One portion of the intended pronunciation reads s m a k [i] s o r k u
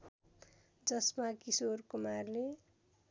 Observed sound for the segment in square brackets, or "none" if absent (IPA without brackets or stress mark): i